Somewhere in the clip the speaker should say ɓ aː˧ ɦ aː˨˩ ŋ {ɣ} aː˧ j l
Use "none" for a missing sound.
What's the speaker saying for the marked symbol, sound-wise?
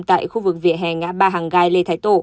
ɣ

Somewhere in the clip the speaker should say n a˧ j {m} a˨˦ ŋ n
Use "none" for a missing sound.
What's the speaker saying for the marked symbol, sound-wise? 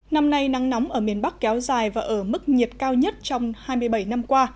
n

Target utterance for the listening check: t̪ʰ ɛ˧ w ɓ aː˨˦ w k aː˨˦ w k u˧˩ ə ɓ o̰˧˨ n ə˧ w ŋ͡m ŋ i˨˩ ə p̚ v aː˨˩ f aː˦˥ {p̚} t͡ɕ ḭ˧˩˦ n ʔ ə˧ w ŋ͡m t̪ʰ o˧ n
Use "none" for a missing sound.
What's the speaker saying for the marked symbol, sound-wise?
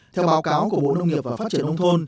t̚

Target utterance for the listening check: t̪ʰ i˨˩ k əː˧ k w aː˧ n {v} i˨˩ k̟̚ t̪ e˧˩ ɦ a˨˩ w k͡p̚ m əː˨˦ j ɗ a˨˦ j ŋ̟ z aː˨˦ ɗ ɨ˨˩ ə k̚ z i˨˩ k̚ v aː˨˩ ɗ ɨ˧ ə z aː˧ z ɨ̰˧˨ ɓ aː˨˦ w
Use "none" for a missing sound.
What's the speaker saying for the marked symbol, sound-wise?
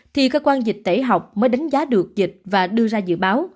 z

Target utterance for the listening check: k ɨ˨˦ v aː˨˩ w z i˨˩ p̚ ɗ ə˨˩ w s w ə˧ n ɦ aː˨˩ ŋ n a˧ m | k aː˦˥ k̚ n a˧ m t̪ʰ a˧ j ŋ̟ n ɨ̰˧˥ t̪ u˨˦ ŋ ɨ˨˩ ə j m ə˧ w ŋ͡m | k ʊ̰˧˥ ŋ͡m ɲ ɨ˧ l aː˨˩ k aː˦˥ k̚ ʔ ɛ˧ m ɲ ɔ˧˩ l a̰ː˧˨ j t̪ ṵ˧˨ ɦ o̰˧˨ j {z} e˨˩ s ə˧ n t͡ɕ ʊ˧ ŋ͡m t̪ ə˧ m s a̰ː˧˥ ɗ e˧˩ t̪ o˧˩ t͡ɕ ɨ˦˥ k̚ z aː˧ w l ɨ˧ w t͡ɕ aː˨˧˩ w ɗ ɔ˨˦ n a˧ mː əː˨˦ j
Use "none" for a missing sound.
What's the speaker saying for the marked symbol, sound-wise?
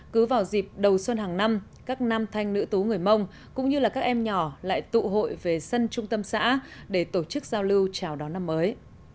v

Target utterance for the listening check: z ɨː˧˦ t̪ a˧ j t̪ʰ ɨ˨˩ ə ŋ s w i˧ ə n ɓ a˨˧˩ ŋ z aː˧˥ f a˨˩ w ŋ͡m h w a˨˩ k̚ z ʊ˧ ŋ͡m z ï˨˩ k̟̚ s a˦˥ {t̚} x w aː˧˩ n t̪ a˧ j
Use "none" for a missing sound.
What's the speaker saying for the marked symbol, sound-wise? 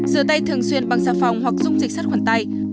t̚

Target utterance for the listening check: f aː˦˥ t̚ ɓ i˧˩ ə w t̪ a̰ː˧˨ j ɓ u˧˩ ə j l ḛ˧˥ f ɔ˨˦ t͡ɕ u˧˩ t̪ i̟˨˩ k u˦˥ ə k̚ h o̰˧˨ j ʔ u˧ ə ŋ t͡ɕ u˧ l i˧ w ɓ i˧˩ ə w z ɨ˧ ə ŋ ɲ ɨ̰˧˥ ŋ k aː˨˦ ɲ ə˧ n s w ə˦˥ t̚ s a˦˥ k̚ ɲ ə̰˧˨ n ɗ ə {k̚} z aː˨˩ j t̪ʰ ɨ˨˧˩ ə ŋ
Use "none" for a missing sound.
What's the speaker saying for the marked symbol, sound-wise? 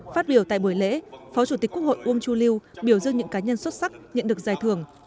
k̚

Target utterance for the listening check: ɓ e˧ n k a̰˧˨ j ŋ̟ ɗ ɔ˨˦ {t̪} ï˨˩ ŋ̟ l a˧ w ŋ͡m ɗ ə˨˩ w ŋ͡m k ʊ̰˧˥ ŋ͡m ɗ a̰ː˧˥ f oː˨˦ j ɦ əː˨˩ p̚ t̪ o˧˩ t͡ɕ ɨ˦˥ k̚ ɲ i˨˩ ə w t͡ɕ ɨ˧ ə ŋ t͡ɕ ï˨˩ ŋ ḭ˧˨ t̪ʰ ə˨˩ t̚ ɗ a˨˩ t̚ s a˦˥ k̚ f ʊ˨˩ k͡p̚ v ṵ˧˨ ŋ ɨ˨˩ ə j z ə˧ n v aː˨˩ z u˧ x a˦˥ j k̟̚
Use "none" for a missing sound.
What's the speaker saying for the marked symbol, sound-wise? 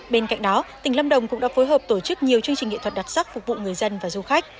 t̪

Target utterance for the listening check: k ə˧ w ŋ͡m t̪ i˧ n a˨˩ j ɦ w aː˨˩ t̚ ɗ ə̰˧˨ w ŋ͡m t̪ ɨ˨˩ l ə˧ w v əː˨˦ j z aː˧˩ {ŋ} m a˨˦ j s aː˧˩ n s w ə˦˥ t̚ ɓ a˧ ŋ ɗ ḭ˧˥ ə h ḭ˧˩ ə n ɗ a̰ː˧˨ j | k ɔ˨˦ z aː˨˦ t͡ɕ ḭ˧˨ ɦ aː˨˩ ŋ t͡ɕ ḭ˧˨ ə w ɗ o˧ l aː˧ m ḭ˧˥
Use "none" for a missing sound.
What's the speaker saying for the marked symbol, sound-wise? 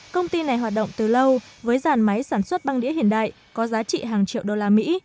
n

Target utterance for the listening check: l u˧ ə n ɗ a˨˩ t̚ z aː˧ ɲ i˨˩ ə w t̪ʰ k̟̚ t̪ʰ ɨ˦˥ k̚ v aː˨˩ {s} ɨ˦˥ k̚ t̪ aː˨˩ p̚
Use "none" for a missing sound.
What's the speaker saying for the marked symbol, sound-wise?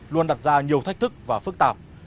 f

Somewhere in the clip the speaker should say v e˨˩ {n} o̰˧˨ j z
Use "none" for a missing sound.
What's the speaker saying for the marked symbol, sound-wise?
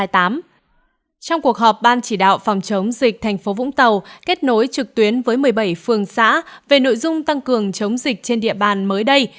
n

